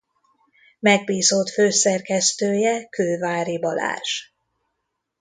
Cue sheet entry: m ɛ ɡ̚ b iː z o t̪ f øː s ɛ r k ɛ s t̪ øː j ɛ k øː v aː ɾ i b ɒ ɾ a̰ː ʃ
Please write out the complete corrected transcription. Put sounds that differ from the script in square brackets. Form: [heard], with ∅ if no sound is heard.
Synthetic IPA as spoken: m ɛ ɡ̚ b iː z o t̪ f øː s ɛ r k ɛ s t̪ øː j ɛ k øː v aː ɾ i b ɒ [l] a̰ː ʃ